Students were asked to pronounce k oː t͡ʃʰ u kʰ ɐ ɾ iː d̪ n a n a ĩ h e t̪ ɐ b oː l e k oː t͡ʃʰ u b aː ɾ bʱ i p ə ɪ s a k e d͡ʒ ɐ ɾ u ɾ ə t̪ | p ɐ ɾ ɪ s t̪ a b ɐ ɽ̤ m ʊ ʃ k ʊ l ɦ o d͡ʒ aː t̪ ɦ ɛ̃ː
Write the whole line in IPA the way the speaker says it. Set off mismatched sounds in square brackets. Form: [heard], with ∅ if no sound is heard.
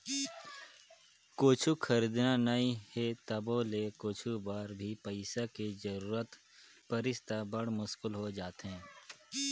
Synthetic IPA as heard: k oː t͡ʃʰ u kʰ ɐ ɾ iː d̪ n a n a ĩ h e t̪ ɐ b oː l e k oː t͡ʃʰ u b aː ɾ bʱ i p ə ɪ s a k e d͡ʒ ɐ ɾ [uː] ɾ ə t̪ | p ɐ ɾ ɪ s t̪ a b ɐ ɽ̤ m ʊ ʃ k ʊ l ɦ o d͡ʒ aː t̪ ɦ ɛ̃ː